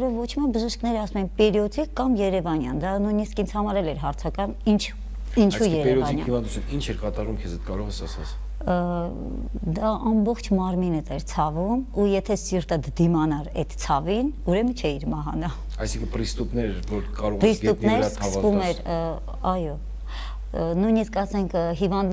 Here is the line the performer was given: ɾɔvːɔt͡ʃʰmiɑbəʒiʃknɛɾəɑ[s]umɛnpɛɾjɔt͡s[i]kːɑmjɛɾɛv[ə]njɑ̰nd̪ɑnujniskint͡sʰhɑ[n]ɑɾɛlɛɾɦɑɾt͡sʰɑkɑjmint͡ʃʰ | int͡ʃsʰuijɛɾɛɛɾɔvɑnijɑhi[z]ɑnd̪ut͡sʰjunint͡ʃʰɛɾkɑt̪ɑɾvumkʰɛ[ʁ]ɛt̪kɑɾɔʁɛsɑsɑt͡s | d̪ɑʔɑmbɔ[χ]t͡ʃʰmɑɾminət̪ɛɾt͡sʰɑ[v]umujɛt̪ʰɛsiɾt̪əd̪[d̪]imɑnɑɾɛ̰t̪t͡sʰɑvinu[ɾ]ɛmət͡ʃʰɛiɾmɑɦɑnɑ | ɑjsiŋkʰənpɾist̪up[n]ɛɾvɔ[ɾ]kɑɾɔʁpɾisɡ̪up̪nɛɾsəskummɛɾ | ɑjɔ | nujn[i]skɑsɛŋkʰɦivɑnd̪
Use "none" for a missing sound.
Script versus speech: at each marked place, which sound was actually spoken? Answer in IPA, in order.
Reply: s, i, ɑ, m, v, z, χ, v, d̪, ɾ, n, ɾ, i

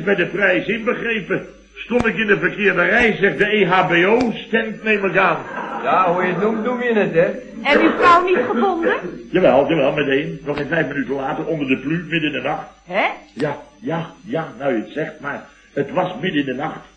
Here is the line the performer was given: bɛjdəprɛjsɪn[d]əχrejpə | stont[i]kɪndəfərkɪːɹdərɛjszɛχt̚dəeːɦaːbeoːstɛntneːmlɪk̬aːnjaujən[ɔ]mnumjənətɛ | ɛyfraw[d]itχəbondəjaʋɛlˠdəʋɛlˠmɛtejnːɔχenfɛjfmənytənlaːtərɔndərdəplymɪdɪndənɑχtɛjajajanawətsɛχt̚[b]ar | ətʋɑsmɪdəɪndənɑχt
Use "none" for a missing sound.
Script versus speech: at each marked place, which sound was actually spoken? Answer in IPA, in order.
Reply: b, ɪ, u, n, m

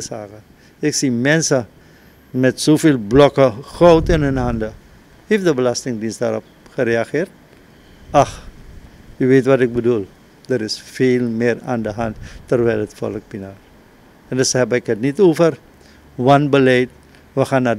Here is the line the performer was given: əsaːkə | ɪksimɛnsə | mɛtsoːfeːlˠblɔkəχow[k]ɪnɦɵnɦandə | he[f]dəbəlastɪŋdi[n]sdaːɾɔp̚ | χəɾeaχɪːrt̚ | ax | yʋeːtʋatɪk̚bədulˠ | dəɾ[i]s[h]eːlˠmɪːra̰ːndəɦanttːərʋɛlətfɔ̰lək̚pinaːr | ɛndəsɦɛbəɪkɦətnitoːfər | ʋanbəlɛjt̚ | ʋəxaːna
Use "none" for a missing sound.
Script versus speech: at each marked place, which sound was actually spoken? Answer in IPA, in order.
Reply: t, f, n, ɪ, f

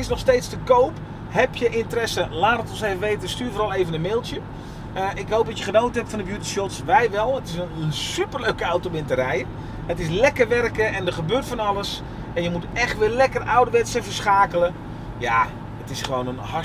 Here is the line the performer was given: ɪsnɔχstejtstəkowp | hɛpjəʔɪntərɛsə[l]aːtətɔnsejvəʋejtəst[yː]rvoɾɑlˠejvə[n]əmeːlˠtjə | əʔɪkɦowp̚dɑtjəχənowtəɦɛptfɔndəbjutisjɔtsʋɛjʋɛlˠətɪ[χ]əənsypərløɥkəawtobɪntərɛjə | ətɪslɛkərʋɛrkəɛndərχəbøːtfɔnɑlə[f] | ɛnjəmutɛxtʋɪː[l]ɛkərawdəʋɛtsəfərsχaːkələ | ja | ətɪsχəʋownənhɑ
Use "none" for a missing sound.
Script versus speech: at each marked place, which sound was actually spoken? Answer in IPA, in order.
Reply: l, yː, n, s, s, l

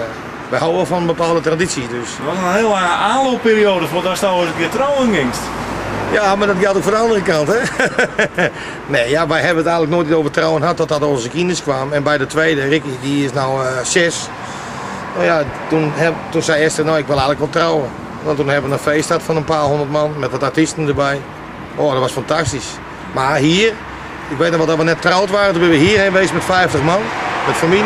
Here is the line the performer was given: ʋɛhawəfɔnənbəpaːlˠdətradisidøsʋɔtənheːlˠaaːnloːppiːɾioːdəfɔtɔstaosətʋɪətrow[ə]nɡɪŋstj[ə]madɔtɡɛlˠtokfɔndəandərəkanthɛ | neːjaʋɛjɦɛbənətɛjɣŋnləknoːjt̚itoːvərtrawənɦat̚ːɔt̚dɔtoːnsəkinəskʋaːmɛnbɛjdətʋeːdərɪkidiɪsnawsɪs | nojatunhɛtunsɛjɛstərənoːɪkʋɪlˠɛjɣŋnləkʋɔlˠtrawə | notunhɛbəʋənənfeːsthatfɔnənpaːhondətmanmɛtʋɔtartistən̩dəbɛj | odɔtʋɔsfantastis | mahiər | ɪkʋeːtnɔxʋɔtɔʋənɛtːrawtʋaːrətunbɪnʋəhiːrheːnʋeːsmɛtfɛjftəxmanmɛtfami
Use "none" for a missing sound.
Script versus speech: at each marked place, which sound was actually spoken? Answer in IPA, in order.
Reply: ə, a

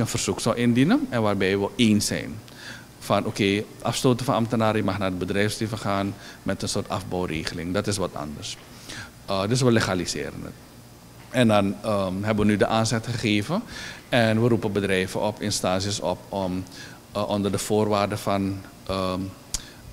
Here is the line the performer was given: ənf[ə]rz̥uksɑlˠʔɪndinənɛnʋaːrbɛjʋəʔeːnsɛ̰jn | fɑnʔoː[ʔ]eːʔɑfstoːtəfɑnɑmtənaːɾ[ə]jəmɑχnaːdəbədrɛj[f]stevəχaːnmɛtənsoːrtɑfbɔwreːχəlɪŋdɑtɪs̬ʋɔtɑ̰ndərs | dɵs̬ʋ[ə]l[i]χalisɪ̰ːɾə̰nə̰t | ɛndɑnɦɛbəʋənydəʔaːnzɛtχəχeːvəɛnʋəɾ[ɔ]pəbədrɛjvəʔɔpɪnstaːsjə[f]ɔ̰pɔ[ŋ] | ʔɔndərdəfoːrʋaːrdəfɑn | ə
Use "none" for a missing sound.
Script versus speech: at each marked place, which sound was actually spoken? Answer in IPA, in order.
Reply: ə, k, ə, f, ə, e, u, s, m

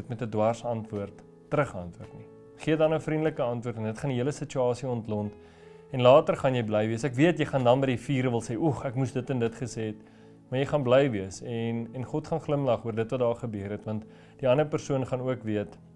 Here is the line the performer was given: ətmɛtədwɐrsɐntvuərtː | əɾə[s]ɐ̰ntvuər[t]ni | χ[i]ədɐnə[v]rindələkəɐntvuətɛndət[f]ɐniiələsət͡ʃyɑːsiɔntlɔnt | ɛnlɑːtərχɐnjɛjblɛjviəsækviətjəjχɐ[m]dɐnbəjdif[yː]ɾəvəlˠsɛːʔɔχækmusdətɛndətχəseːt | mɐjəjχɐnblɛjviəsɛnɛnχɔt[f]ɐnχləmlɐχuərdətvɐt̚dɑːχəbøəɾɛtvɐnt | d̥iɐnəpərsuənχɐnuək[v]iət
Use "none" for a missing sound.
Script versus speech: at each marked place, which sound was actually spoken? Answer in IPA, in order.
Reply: χ, t, i, f, χ, n, iː, χ, v

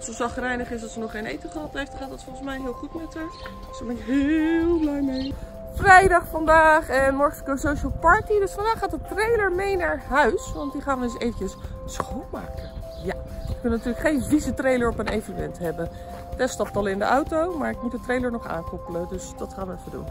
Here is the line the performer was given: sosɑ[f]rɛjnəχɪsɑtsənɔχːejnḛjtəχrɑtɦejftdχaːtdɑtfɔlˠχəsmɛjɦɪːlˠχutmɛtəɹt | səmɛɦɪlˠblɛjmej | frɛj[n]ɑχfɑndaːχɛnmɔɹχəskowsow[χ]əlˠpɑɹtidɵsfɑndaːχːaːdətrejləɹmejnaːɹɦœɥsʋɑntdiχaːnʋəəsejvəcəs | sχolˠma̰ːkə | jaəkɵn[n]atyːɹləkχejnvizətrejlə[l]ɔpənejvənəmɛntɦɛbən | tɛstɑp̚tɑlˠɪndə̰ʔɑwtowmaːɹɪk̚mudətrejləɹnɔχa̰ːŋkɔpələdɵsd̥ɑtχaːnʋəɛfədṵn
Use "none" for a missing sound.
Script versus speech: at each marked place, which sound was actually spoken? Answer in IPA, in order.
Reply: χ, d, ʃ, n, ɹ

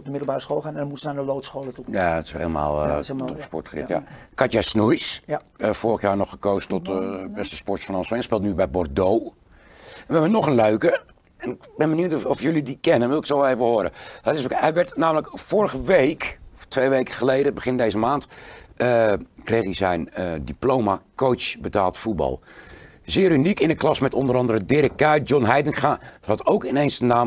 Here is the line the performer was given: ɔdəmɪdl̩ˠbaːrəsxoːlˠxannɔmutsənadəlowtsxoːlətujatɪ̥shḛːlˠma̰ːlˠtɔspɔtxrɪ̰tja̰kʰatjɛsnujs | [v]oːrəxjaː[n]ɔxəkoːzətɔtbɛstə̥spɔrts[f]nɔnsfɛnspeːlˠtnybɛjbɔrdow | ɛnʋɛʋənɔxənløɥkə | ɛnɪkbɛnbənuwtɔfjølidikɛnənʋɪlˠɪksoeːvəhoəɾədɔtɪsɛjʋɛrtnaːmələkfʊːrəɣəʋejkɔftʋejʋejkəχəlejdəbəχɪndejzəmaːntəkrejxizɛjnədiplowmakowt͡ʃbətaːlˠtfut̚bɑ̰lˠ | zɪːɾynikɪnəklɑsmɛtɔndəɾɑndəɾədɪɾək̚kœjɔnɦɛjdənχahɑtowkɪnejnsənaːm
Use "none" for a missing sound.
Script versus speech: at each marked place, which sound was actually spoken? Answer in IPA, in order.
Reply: f, n, f

